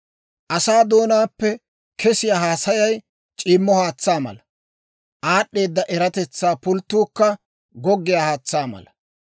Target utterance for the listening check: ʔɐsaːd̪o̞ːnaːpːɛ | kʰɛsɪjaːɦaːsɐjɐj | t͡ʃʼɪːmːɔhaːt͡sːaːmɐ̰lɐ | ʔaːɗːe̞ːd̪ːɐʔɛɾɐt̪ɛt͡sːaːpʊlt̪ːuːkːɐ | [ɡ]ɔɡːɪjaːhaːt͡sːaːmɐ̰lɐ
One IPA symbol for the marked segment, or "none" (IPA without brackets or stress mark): ɡ